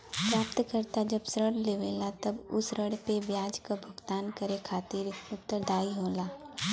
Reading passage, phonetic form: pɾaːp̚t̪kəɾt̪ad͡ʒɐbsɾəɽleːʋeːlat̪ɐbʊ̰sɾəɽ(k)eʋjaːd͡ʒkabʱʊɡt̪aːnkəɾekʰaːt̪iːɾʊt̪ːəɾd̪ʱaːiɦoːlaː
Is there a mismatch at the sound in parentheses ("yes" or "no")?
yes